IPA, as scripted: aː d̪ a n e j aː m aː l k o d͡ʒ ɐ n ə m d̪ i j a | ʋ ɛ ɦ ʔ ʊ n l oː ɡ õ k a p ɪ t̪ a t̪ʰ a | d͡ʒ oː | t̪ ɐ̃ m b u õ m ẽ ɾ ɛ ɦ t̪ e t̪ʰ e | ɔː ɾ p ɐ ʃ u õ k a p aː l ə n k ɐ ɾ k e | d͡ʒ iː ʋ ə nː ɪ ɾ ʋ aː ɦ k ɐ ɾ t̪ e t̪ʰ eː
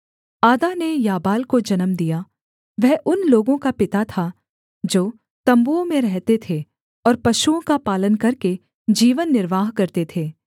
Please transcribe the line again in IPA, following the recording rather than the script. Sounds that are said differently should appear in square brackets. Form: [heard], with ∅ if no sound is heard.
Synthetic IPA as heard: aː d̪ a n e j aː [b] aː l k o d͡ʒ ɐ n ə m d̪ i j a | ʋ ɛ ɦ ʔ ʊ n l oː ɡ õ k a p ɪ t̪ a t̪ʰ a | d͡ʒ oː | t̪ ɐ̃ m b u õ m ẽ ɾ ɛ ɦ t̪ e t̪ʰ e | ɔː ɾ p ɐ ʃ u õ k a p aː l ə n k ɐ ɾ k e | d͡ʒ iː ʋ ə nː ɪ ɾ ʋ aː ɦ k ɐ ɾ t̪ e t̪ʰ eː